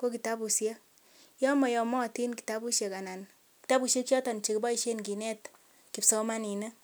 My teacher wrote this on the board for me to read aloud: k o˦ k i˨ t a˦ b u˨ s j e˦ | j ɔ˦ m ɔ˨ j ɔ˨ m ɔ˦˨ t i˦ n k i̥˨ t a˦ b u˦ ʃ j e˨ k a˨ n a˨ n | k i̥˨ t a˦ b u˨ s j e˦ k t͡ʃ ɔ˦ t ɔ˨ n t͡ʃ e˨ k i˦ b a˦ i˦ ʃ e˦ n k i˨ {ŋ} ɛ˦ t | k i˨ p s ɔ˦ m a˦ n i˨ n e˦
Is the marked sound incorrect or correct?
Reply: incorrect